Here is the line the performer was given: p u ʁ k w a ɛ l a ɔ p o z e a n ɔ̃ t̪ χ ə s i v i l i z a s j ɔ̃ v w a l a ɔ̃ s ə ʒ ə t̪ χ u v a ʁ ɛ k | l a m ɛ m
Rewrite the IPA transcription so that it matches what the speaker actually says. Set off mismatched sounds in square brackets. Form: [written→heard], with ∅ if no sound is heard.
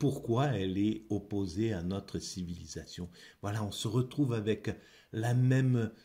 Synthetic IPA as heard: p u ʁ k w a ɛ l [a→ɛ] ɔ p o z e a n [ɔ̃→ɔ] t̪ χ ə s i v i l i z a s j ɔ̃ v w a l a ɔ̃ s ə [ʒ→ʁ] ə t̪ χ u v a [ʁ→v] ɛ k | l a m ɛ m

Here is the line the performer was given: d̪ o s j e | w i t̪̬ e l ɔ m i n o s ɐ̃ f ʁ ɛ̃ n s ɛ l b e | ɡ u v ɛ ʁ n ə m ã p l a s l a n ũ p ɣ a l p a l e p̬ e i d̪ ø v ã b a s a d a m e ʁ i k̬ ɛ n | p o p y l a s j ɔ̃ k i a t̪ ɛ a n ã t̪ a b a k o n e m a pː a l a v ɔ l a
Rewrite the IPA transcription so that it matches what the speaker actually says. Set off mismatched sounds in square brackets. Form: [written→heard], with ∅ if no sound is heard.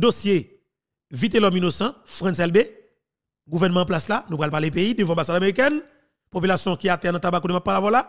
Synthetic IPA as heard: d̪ o s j e | [w→v] i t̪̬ e l ɔ m i n o s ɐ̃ f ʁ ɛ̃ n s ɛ l b e | ɡ u v ɛ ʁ n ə m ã p l a s l a n ũ p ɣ a l p a l e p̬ e i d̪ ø v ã b a s a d a m e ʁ i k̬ ɛ n | p o p y l a s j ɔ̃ k i a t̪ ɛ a n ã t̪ a b a k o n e m a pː a l a v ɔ l a

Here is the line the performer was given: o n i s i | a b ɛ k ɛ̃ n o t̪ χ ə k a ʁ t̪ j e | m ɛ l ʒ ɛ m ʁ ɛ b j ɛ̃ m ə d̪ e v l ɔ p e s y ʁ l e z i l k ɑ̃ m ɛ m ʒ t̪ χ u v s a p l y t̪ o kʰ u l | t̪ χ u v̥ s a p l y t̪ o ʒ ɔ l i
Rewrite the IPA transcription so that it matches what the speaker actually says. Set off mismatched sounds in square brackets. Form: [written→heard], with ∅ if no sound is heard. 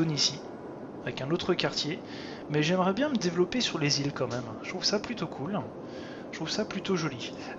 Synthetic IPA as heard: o n i s i | a [b→v] ɛ k ɛ̃ n o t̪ χ ə k a ʁ t̪ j e | m ɛ [l→∅] ʒ ɛ m ʁ ɛ b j ɛ̃ m ə d̪ e v l ɔ p e s y ʁ l e z i l k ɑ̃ m ɛ m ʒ t̪ χ u v s a p l y t̪ o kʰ u l | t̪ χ u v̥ s a p l y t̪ o ʒ ɔ l i

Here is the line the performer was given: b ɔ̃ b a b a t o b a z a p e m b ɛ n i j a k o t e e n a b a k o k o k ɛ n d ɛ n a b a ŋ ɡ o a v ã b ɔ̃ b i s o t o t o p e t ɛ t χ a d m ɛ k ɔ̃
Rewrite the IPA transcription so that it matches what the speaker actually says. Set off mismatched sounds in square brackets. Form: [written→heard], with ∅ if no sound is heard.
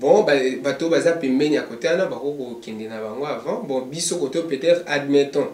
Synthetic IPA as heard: b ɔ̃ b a b a t o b a z a p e m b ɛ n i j a k o t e [e→a] n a b a k o k o k ɛ n d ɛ n a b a ŋ ɡ o a v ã b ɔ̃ b i s o [t→k] o t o p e t ɛ t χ a d m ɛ [k→t] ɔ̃

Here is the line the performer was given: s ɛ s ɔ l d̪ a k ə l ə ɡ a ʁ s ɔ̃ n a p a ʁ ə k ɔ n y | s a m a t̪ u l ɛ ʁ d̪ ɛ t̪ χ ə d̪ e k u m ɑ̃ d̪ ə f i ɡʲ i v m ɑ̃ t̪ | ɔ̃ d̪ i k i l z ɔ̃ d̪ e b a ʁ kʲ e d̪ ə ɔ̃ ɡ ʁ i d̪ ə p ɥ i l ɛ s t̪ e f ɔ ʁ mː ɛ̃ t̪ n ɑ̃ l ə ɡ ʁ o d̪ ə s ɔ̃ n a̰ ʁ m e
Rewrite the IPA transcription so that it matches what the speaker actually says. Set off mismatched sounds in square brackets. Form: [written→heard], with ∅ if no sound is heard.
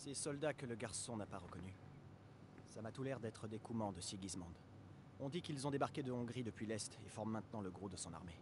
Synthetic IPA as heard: s ɛ s ɔ l d̪ a k ə l ə ɡ a ʁ s ɔ̃ n a p a ʁ ə k ɔ n y | s a m a t̪ u l ɛ ʁ d̪ ɛ t̪ χ ə d̪ e k u m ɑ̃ d̪ ə [f→s] i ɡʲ i [v→z] m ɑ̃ [t̪→d̪] | ɔ̃ d̪ i k i l z ɔ̃ d̪ e b a ʁ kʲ e d̪ ə ɔ̃ ɡ ʁ i d̪ ə p ɥ i l ɛ s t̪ e f ɔ ʁ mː ɛ̃ t̪ n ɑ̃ l ə ɡ ʁ o d̪ ə s ɔ̃ n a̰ ʁ m e

